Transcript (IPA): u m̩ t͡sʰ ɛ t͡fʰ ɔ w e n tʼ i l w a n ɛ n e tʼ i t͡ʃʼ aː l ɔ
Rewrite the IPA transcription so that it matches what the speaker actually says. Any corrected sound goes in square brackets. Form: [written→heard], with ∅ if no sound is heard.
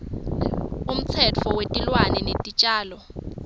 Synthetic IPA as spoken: u m̩ t͡sʰ ɛ t͡fʰ ɔ w e [n→∅] tʼ i l w a n ɛ n e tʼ i t͡ʃʼ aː l ɔ